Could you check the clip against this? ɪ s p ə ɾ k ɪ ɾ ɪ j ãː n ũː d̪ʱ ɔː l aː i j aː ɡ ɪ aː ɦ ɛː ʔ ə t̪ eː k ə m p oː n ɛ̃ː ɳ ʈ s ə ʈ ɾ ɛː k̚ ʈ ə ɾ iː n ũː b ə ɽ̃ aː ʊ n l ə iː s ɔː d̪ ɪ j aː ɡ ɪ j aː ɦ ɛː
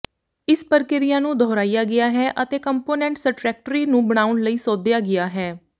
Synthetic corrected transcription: ɪ s p ə ɾ k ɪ ɾ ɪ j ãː n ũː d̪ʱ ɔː ɾ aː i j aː ɡ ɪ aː ɦ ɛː ʔ ə t̪ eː k ə m p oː n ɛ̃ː ɳ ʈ s ə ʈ ɾ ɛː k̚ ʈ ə ɾ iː n ũː b ə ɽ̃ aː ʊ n l ə iː s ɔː d̪ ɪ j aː ɡ ɪ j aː ɦ ɛː

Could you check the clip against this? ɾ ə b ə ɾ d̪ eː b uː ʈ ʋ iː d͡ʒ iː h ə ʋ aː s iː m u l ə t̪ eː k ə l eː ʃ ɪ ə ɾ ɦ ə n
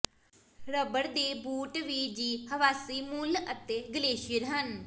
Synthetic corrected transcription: ɾ ə b ə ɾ d̪ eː b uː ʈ ʋ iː d͡ʒ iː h ə ʋ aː s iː m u l ə t̪ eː ɡ ə l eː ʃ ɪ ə ɾ ɦ ə n

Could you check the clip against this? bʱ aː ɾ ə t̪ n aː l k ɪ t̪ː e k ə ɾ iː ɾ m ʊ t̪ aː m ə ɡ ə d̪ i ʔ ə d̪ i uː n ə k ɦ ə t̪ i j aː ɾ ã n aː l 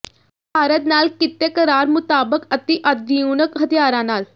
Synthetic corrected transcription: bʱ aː ɾ ə t̪ n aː l k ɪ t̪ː e k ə ɾ aː ɾ m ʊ t̪ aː b ə k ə t̪ i ʔ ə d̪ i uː n ə k ɦ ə t̪ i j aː ɾ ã n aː l

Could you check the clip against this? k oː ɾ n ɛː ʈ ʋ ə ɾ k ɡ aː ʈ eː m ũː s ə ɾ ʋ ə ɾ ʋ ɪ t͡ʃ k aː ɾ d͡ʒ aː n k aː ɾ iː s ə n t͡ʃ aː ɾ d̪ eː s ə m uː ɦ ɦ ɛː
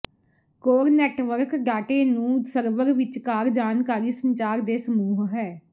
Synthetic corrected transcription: k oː ɾ n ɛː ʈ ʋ ə ɾ k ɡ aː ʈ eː n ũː s ə ɾ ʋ ə ɾ ʋ ɪ t͡ʃ k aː ɾ d͡ʒ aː n k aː ɾ iː s ə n t͡ʃ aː ɾ d̪ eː s ə m uː ɦ ɦ ɛː

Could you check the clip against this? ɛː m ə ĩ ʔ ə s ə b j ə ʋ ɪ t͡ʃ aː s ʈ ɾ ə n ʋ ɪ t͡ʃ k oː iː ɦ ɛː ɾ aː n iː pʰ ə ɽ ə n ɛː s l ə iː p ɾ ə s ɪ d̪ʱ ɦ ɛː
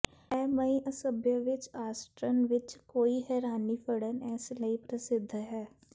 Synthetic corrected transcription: ɛː m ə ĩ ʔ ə s ə b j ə ʋ ɪ t͡ʃ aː s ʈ ɾ ə n ʋ ɪ t͡ʃ k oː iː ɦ ɛː ɾ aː n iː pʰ ə ɽ ə n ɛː s l ə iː p ɾ ə s ɪ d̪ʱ ɦ ɛː

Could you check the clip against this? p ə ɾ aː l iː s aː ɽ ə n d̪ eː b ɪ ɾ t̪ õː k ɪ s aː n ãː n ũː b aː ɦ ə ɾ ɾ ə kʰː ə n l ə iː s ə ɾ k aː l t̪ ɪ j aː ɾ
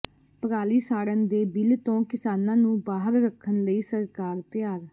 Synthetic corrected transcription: p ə ɾ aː l iː s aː ɽ ə n d̪ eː b ɪ l t̪ õː k ɪ s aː n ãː n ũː b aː ɦ ə ɾ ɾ ə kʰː ə n l ə iː s ə ɾ k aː ɾ t̪ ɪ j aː ɾ

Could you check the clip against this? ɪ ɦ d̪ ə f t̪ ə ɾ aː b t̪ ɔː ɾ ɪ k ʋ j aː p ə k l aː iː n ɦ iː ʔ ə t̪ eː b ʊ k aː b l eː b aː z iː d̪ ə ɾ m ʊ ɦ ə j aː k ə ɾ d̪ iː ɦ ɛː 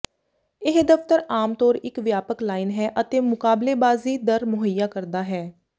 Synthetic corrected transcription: ɪ ɦ d̪ ə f t̪ ə ɾ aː m t̪ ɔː ɾ ɪ k ʋ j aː p ə k l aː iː n ɦ ɛː ʔ ə t̪ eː m ʊ k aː b l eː b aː z iː d̪ ə ɾ m ʊ ɦ ə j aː k ə ɾ d̪ aː ɦ ɛː

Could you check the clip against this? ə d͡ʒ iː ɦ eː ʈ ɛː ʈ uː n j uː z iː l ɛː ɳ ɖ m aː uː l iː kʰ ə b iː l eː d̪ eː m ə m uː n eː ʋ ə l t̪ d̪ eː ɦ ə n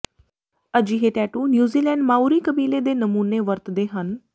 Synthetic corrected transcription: ə d͡ʒ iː ɦ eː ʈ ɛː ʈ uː n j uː z iː l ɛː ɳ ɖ m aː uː ɾ iː k ə b iː l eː d̪ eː n ə m uː n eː ʋ ə ɾ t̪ d̪ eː ɦ ə n

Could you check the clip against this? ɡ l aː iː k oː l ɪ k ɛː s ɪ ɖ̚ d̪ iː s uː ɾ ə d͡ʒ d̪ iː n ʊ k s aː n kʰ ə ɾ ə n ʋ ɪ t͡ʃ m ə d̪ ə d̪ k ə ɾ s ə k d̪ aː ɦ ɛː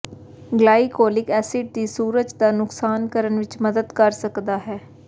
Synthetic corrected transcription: ɡ l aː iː k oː l ɪ k ɛː s ɪ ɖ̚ d̪ iː s uː ɾ ə d͡ʒ d̪ aː n ʊ k s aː n k ə ɾ ə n ʋ ɪ t͡ʃ m ə d̪ ə d̪ k ə ɾ s ə k d̪ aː ɦ ɛː

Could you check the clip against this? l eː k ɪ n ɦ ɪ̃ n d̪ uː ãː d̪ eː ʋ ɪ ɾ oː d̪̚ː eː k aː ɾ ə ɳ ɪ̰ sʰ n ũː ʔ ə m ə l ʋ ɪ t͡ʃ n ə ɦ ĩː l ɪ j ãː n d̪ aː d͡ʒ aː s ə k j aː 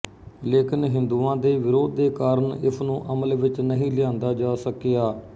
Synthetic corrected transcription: l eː k ɪ n ɦ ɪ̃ n d̪ uː ãː d̪ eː ʋ ɪ ɾ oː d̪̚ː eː k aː ɾ ə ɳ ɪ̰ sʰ n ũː ʔ ə m ə l ʋ ɪ t͡ʃ n ə ɦ ĩː l ɪ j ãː n d̪ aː d͡ʒ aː s ə k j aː

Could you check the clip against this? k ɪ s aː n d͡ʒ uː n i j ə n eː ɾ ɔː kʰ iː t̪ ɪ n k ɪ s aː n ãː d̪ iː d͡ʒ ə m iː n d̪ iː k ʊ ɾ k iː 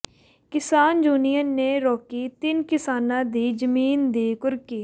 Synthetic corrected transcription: k ɪ s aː n d͡ʒ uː n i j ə n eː ɾ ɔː k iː t̪ ɪ n k ɪ s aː n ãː d̪ iː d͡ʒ ə m iː n d̪ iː k ʊ ɾ k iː

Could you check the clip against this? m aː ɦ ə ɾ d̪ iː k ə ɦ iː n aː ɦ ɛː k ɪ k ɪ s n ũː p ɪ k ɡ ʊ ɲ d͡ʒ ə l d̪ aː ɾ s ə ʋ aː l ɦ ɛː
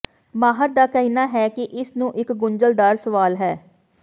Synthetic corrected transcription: m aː ɦ ə ɾ d̪ aː k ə ɦ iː n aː ɦ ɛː k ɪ ʔ ɪ s n ũː ʔ ɪ k ɡ ʊ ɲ d͡ʒ ə l d̪ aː ɾ s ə ʋ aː l ɦ ɛː

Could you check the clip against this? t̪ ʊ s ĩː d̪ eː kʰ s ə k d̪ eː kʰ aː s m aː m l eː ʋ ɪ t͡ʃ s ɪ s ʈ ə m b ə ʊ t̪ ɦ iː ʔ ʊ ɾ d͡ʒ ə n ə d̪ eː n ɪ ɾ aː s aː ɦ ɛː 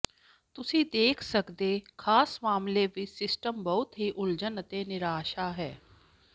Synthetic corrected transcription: t̪ ʊ s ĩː d̪ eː kʰ s ə k d̪ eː kʰ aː s m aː m l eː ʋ ɪ t͡ʃ s ɪ s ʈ ə m b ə ʊ t̪ ɦ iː ʔ ʊ l d͡ʒ ə n ə t̪ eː n ɪ ɾ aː ʃ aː ɦ ɛː

